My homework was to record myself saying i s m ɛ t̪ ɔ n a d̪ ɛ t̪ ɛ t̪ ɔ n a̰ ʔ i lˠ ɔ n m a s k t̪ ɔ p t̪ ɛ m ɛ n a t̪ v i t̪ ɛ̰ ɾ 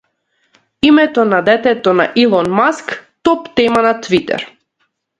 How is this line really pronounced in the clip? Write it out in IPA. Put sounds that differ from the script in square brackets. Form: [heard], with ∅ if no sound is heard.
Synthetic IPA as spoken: i [∅] m ɛ t̪ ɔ n a d̪ ɛ t̪ ɛ t̪ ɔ n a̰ ʔ i lˠ ɔ n m a s k t̪ ɔ p t̪ ɛ m [a] n a t̪ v i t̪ ɛ̰ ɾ